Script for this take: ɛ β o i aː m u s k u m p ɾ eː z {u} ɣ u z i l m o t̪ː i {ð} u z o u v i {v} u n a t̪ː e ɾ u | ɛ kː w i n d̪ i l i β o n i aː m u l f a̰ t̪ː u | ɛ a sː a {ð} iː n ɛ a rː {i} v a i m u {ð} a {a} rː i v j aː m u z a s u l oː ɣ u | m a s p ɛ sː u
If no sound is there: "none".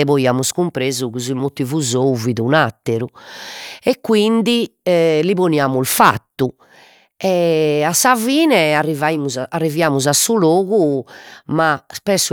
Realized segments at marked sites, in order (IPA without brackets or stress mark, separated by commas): u, v, ð, v, i, z, a